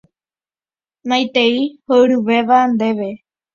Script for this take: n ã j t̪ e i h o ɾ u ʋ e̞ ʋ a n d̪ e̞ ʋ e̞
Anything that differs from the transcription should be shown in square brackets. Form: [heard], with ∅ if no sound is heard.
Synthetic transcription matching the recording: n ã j t̪ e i h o ɾ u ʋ e̞ ʋ a n d̪ e̞ ʋ e̞